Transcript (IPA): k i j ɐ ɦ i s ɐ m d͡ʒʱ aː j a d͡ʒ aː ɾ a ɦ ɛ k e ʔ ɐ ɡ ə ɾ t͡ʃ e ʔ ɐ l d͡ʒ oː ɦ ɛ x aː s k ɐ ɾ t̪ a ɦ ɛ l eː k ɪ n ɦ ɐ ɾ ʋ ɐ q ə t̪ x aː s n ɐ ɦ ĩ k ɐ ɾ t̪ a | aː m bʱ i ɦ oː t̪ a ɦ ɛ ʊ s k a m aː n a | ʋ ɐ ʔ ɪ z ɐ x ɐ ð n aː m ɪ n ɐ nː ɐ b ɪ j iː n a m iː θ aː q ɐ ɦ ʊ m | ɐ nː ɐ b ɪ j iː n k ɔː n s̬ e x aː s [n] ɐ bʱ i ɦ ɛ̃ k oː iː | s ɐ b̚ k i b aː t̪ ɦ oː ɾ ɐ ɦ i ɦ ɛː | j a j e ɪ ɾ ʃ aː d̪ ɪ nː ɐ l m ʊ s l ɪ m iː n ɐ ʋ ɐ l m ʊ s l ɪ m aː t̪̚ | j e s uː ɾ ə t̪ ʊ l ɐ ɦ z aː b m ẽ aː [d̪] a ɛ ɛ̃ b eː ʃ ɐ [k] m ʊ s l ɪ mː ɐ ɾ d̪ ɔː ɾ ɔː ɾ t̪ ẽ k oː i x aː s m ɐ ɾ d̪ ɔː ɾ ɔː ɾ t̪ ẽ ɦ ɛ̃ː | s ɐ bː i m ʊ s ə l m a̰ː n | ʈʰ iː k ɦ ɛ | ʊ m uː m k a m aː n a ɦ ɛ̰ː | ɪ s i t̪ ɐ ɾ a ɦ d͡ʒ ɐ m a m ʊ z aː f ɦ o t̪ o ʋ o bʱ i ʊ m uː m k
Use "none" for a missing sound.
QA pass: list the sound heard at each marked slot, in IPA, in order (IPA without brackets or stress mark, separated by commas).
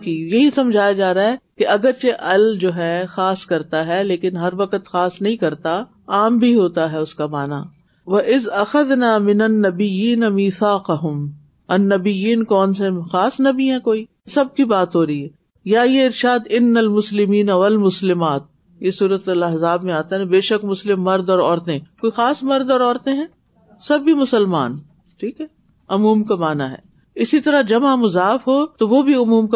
n, t̪, k